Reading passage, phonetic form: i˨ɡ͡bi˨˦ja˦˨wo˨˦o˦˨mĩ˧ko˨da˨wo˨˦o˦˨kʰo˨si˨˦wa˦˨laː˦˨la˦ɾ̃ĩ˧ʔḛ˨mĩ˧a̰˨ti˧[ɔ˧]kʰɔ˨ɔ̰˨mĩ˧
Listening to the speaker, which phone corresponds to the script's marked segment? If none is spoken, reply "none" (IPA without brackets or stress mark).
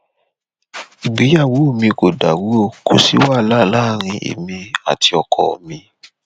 ɔ˧